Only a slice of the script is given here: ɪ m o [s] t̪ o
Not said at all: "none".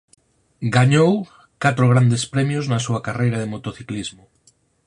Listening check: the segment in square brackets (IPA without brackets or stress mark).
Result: none